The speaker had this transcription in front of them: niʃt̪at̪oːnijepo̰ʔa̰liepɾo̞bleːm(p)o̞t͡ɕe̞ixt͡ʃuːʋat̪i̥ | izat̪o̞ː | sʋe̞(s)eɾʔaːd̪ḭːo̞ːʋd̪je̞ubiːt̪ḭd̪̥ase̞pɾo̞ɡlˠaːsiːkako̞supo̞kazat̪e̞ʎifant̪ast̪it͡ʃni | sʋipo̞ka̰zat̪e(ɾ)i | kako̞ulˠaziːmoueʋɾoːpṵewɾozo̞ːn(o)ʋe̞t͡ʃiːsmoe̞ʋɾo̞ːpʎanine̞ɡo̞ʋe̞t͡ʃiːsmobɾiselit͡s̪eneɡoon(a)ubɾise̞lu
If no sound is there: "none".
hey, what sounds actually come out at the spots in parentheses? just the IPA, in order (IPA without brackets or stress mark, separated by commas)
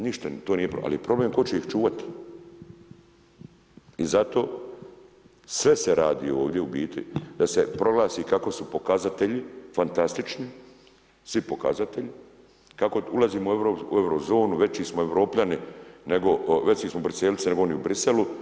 k, s, ʎ, u, i